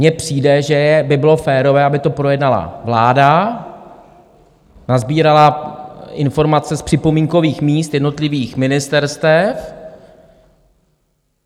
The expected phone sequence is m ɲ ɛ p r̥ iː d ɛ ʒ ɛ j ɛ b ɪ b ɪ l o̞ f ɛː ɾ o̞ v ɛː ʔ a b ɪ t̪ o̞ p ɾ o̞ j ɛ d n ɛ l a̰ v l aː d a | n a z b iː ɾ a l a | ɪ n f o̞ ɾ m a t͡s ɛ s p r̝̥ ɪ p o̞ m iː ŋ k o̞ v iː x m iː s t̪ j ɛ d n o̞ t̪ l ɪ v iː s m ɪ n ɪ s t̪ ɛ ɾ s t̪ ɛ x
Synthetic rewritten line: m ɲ ɛ p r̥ iː d ɛ ʒ ɛ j ɛ b ɪ b ɪ l o̞ f ɛː ɾ o̞ v ɛː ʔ a b ɪ t̪ o̞ p ɾ o̞ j ɛ d n a l a̰ v l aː d a | n a z b iː ɾ a l a | ɪ n f o̞ ɾ m a t͡s ɛ s p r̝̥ ɪ p o̞ m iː ŋ k o̞ v iː x m iː s t̪ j ɛ d n o̞ t̪ l ɪ v iː x m ɪ n ɪ s t̪ ɛ ɾ s t̪ ɛ f

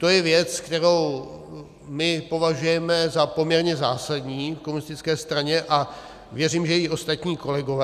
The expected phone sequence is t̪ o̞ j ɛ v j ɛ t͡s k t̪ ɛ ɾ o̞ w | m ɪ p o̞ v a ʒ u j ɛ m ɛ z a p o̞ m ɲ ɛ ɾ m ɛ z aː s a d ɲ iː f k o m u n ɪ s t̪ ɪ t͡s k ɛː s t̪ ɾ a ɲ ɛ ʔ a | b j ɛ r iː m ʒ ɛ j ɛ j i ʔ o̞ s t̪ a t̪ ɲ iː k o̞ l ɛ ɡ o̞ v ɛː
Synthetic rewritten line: t̪ o̞ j ɛ v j ɛ t͡s k t̪ ɛ ɾ o̞ w | m ɪ p o̞ v a ʒ u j ɛ m ɛ z a p o̞ m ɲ ɛ ɾ ɲ ɛ z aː s a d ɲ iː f k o m u n ɪ s t̪ ɪ t͡s k ɛː s t̪ ɾ a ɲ ɛ ʔ a | v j ɛ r iː m ʒ ɛ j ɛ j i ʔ o̞ s t̪ a t̪ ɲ iː k o̞ l ɛ ɡ o̞ v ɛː

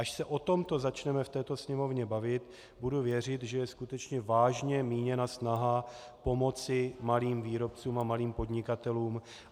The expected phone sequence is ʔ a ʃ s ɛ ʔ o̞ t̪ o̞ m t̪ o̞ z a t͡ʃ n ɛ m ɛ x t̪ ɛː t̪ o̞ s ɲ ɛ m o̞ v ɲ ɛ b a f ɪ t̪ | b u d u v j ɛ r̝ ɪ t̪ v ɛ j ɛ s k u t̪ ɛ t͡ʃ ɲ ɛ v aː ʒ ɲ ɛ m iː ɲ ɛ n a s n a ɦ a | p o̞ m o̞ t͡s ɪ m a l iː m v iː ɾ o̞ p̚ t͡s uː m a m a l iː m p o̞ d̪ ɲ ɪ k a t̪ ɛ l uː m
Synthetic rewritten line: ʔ a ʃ s ɛ ʔ o̞ t̪ o̞ m t̪ o̞ z a t͡ʃ n ɛ m ɛ f t̪ ɛː t̪ o̞ s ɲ ɛ m o̞ v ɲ ɛ b a v ɪ t̪ | b u d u v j ɛ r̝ ɪ t̪ ʒ ɛ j ɛ s k u t̪ ɛ t͡ʃ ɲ ɛ v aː ʒ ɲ ɛ m iː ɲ ɛ n a s n a ɦ a | p o̞ m o̞ t͡s ɪ m a l iː m v iː ɾ o̞ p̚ t͡s uː m a m a l iː m p o̞ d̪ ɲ ɪ k a t̪ ɛ l uː m

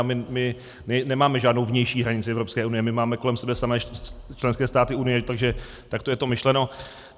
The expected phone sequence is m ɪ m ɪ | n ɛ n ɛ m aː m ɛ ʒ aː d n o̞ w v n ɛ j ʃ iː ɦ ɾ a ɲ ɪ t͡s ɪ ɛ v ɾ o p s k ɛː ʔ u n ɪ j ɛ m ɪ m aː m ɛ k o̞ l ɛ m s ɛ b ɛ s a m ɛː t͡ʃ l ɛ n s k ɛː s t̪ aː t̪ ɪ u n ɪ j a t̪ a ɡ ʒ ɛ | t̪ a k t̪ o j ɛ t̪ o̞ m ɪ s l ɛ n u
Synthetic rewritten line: m ɪ m ɪ | n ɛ n ɛ m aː m ɛ ʒ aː d n o̞ w v ɲ ɛ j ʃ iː ɦ ɾ a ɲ ɪ t͡s ɪ ɛ v ɾ o p s k ɛː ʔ u n ɪ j ɛ m ɪ m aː m ɛ k o̞ l ɛ m s ɛ b ɛ s a m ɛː t͡ʃ l ɛ n s k ɛː s t̪ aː t̪ ɪ u n ɪ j ɛ t̪ a ɡ ʒ ɛ | t̪ a k t̪ o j ɛ t̪ o̞ m ɪ ʃ l ɛ n o

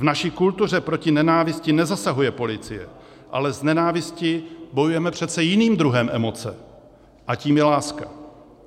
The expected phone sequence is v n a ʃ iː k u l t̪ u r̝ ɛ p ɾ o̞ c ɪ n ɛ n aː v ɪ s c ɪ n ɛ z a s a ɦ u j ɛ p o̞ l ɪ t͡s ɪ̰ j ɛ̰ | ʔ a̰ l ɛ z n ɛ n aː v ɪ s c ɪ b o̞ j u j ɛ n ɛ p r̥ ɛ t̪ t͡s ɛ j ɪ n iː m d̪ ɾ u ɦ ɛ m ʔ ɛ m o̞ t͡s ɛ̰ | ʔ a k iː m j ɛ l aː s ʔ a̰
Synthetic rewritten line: v n a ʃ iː k u l t̪ u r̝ ɛ p ɾ o̞ c ɪ n ɛ n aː v ɪ s c ɪ n ɛ z a s a ɦ u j ɛ p o̞ l ɪ t͡s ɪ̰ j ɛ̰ | ʔ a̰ l ɛ z n ɛ n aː v ɪ s c ɪ b o̞ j u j ɛ m ɛ p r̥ ɛ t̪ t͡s ɛ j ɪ n iː m d̪ ɾ u ɦ ɛ m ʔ ɛ m o̞ t͡s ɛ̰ | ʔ a c iː m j ɛ l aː s k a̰

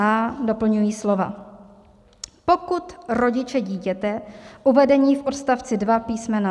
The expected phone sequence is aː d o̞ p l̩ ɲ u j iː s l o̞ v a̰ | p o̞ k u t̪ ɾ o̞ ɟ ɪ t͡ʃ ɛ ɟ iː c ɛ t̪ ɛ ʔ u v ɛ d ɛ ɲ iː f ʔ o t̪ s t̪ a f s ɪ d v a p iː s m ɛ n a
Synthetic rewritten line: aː d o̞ p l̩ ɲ u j iː s l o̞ v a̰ | p o̞ k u t̪ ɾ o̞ ɟ ɪ t͡ʃ ɛ ɟ iː c ɛ t̪ ɛ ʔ u v ɛ d ɛ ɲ iː f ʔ o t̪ s t̪ a f t͡s ɪ d v a p iː s m ɛ n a

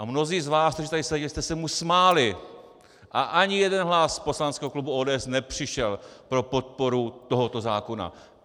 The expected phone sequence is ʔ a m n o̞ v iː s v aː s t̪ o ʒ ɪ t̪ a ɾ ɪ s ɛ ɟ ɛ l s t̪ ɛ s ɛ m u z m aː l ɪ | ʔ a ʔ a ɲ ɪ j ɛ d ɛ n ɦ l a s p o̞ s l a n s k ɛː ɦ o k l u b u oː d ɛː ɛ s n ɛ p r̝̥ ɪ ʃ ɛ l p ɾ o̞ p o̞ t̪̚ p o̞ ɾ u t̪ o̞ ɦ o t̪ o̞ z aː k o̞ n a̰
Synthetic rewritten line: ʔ a m n o̞ z iː z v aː s t̪ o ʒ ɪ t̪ a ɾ ɪ s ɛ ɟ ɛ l s t̪ ɛ s ɛ m u s m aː l ɪ | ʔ a ʔ a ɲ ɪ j ɛ d ɛ n ɦ l a s p o̞ s l a n s k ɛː ɦ o k l u b u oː d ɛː ɛ s n ɛ p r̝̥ ɪ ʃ ɛ l p ɾ o̞ p o̞ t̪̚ p o̞ ɾ u t̪ o̞ ɦ o t̪ o̞ z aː k o̞ n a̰

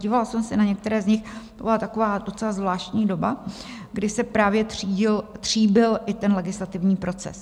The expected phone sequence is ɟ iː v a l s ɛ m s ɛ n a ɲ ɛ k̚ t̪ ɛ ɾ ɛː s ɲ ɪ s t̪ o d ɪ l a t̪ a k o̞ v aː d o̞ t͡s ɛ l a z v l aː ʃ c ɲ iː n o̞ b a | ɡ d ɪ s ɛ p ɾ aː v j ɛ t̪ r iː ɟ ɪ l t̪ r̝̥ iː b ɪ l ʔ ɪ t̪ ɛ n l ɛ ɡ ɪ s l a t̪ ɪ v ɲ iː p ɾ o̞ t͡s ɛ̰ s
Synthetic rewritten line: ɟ iː v a l s ɛ m s ɛ n a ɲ ɛ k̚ t̪ ɛ ɾ ɛː z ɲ ɪ x t̪ o b ɪ l a t̪ a k o̞ v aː d o̞ t͡s ɛ l a z v l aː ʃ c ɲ iː d o̞ b a | ɡ d ɪ s ɛ p ɾ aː v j ɛ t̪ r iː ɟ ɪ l t̪ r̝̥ iː b ɪ l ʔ ɪ t̪ ɛ n l ɛ ɡ ɪ s l a t̪ ɪ v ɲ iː p ɾ o̞ t͡s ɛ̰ s

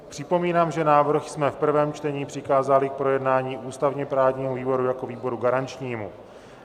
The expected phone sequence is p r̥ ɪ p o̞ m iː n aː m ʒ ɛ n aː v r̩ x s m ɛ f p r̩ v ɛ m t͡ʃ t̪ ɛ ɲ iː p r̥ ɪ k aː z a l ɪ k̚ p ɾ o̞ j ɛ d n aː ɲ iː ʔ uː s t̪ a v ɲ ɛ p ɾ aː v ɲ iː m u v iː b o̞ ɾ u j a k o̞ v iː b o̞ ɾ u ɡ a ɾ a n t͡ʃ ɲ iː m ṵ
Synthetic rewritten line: p r̥ ɪ p o̞ m iː n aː m ʒ ɛ n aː v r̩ x s m ɛ f p r̩ v ɛː m t͡ʃ t̪ ɛ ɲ iː p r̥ ɪ k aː z a l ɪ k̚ p ɾ o̞ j ɛ d n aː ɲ iː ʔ uː s t̪ a v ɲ ɛ p ɾ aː v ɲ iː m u v iː b o̞ ɾ u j a k o̞ v iː b o̞ ɾ u ɡ a ɾ a n t͡ʃ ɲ iː m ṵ

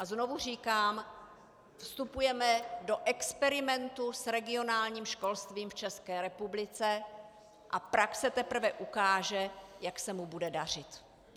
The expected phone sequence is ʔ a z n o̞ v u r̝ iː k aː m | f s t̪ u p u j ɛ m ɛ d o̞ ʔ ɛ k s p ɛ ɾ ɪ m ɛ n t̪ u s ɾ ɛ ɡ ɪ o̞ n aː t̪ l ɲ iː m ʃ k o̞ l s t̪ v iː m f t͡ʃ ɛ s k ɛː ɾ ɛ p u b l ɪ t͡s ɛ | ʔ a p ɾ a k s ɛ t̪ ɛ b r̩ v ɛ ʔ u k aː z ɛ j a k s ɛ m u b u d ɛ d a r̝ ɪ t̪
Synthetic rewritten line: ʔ a z n o̞ v u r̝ iː k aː m | f s t̪ u p u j ɛ m ɛ d o̞ ʔ ɛ k s p ɛ ɾ ɪ m ɛ n t̪ u s ɾ ɛ ɡ ɪ o̞ n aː l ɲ iː m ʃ k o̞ l s t̪ v iː m f t͡ʃ ɛ s k ɛː ɾ ɛ p u b l ɪ t͡s ɛ | ʔ a p ɾ a k s ɛ t̪ ɛ p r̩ v ɛ ʔ u k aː ʒ ɛ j a k s ɛ m u b u d ɛ d a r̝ ɪ t̪

